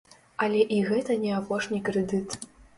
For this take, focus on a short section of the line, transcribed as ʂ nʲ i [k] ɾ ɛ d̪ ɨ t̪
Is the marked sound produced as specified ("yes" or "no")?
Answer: yes